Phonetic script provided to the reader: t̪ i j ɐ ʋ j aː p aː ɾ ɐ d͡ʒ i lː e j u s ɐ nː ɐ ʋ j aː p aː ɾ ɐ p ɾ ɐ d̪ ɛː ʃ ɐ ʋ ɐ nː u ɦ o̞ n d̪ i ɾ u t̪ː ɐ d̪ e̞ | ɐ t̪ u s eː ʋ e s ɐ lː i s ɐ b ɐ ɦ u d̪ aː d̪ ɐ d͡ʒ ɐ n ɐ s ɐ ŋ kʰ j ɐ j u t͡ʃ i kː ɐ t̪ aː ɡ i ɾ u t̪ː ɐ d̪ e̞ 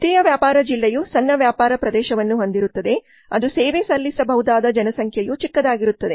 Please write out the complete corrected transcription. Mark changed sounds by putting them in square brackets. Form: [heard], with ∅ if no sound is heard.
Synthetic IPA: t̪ i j ɐ ʋ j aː p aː ɾ ɐ d͡ʒ i lː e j u s ɐ nː ɐ ʋ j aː p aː ɾ ɐ p ɾ ɐ d̪ ɛː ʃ ɐ ʋ ɐ nː u ɦ o̞ n d̪ i ɾ u t̪ː ɐ d̪ e̞ | ɐ [d̪] u s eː ʋ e s ɐ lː i s ɐ b ɐ ɦ u d̪ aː d̪ ɐ d͡ʒ ɐ n ɐ s ɐ ŋ kʰ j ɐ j u t͡ʃ i kː ɐ [d̪] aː ɡ i ɾ u t̪ː ɐ d̪ e̞

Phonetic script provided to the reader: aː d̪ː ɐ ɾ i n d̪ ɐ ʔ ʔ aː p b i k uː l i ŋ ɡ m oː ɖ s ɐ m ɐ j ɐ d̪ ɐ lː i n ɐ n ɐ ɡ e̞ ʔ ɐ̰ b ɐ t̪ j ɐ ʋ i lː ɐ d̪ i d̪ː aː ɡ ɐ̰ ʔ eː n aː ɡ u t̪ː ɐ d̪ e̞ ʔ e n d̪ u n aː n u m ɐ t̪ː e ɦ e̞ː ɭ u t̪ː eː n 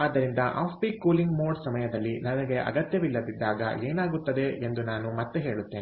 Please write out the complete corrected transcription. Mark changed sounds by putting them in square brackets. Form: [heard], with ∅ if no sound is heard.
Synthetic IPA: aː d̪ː ɐ ɾ i n d̪ ɐ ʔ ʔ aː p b i k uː l i ŋ ɡ m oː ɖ s ɐ m ɐ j ɐ d̪ ɐ lː i n ɐ n ɐ ɡ e̞ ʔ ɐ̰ [ɡ] ɐ t̪ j ɐ ʋ i lː ɐ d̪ i d̪ː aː ɡ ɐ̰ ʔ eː n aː ɡ u t̪ː ɐ d̪ e̞ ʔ e n d̪ u n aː n u m ɐ t̪ː e ɦ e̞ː ɭ u t̪ː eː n

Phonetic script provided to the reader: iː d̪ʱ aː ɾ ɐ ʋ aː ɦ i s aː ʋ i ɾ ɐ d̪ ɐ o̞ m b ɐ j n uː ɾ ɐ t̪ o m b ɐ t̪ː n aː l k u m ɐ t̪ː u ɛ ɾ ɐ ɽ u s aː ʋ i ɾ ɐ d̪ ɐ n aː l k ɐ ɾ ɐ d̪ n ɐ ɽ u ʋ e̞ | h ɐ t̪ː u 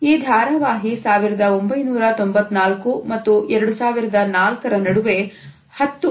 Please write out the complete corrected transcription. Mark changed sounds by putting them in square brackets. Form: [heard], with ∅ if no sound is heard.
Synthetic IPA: iː d̪ʱ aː ɾ ɐ ʋ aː ɦ i s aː ʋ i ɾ ɐ d̪ ɐ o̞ m b ɐ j n uː ɾ ɐ t̪ o m b ɐ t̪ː n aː l k u m ɐ t̪ː u ɛ ɾ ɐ ɽ u s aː ʋ i ɾ ɐ d̪ ɐ n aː l k ɐ ɾ ɐ [∅] n ɐ ɽ u ʋ e̞ | h ɐ t̪ː u

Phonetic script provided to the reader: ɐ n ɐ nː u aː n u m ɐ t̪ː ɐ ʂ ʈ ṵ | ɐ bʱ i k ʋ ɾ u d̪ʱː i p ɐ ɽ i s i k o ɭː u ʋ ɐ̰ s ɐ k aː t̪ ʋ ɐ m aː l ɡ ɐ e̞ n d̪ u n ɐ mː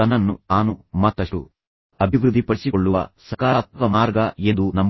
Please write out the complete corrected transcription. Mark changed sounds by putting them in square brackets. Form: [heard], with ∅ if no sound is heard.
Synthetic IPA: ɐ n ɐ nː u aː n u m ɐ t̪ː ɐ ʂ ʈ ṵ | ɐ bʱ i [∅] ʋ ɾ u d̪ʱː i p ɐ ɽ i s i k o ɭː u ʋ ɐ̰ s ɐ k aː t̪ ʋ ɐ m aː [ɾ] ɡ ɐ e̞ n d̪ u n ɐ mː

